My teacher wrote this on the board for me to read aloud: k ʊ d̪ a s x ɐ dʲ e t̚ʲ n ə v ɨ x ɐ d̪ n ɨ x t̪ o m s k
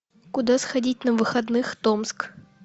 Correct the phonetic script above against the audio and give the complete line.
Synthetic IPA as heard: k ʊ d̪ a s x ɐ dʲ i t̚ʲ n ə v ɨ x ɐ d̪ n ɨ x t̪ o m s k